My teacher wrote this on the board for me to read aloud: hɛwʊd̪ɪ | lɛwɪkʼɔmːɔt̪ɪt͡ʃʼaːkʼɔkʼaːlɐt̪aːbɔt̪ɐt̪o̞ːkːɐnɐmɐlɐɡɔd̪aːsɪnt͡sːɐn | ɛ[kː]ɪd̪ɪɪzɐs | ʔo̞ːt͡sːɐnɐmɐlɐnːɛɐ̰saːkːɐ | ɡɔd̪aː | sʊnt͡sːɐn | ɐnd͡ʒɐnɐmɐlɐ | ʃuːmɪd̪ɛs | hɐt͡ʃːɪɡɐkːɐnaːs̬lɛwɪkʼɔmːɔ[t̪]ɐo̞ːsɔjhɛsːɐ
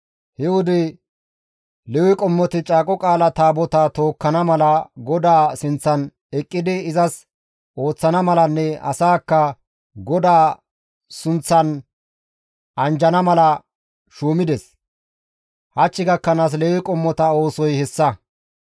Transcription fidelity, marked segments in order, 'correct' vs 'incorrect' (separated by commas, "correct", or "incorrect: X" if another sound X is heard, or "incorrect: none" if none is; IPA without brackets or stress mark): incorrect: kʼː, correct